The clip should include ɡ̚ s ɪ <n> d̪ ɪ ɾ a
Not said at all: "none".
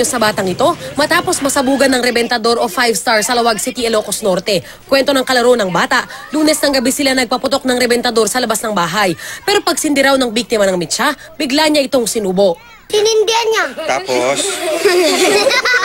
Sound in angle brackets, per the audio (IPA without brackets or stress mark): n